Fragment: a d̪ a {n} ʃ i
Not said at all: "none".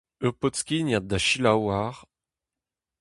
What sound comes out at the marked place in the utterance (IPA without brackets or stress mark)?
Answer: none